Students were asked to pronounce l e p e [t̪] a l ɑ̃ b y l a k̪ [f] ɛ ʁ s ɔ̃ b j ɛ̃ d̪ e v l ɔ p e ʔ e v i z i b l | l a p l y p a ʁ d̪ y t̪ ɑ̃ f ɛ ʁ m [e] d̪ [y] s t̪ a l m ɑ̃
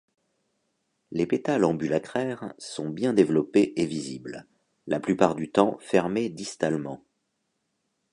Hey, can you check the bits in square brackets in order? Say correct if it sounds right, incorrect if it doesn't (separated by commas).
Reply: correct, incorrect, correct, incorrect